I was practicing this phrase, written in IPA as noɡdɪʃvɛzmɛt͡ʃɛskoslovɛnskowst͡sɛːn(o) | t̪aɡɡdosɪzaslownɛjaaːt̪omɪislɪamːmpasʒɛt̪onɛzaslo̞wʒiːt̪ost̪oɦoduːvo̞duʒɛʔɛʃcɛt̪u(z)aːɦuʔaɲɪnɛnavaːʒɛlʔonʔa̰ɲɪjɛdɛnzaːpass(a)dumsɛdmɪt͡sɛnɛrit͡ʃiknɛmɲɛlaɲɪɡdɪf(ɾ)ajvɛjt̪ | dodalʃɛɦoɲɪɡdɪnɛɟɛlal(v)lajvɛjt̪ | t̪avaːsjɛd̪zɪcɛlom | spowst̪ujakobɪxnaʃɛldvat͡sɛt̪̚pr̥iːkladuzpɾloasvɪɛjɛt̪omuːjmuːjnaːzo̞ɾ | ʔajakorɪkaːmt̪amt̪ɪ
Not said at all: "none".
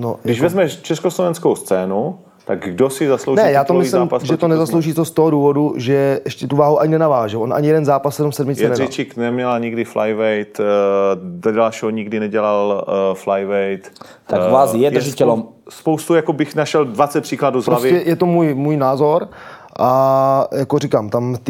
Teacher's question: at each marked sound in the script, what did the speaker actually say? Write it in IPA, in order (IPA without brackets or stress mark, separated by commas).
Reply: u, v, ɛ, l, f